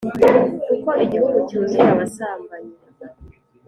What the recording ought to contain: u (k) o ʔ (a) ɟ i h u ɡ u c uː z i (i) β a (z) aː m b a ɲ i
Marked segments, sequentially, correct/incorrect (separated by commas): correct, incorrect, incorrect, incorrect